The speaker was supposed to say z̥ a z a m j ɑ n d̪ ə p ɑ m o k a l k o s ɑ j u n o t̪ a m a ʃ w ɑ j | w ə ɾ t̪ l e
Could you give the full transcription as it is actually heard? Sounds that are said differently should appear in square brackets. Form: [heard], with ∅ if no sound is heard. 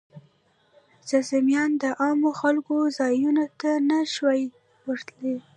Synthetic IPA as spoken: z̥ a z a m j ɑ n d̪ ə [ʔ] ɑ m o [x] a l k o [z] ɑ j u n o t̪ a [n] a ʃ w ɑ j | w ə ɾ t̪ l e